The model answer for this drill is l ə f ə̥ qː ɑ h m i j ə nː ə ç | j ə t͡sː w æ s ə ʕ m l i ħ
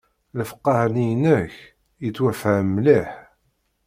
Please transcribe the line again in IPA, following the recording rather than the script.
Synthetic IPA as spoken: l ə f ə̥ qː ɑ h n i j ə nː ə ç | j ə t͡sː w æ f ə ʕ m l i ħ